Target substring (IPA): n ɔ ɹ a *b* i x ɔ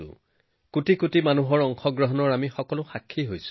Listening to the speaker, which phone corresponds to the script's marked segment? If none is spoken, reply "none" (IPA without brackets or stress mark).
m